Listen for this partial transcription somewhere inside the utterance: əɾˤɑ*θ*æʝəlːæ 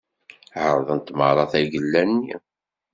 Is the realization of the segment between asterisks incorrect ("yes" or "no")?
no